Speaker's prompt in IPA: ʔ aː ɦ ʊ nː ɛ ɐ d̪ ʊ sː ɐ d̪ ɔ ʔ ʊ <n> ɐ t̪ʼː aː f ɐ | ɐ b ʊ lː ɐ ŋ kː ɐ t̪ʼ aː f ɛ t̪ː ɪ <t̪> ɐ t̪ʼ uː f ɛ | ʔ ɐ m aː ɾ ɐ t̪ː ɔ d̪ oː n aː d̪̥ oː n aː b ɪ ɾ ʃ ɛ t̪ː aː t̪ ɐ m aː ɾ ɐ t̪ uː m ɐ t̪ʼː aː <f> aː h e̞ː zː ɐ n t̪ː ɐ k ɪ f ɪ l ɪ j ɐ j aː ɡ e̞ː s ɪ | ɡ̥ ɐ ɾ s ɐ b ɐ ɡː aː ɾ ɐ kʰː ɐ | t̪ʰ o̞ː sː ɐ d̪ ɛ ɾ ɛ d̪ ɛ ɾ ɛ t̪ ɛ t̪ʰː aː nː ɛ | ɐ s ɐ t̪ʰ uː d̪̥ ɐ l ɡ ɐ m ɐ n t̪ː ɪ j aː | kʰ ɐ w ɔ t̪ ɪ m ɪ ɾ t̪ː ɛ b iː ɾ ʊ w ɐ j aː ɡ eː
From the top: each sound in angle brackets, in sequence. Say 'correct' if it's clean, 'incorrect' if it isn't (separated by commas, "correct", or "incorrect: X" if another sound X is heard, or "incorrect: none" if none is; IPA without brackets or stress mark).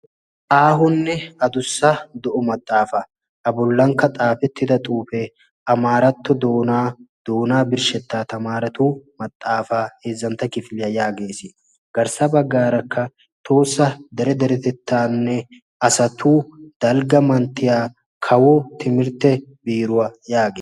incorrect: m, incorrect: d̪, correct